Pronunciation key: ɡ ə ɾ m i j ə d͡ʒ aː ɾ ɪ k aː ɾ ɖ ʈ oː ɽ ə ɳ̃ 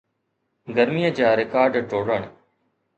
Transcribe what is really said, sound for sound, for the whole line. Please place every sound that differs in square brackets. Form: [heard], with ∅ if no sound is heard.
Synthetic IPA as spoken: ɡ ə ɾ m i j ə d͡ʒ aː ɾ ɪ k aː ɾ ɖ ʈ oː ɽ ə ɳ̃